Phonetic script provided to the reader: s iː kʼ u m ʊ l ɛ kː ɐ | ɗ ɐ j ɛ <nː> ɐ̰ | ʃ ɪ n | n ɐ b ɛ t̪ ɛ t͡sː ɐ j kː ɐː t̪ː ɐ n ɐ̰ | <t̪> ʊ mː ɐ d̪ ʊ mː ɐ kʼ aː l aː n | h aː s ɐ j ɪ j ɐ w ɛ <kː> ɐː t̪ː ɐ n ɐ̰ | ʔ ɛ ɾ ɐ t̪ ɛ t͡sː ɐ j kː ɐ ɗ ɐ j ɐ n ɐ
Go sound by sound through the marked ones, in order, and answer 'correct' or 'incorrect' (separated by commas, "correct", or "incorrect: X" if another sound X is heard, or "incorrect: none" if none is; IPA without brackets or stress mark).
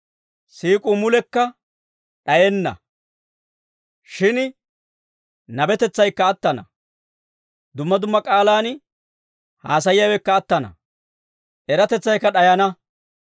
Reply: correct, incorrect: d̪, correct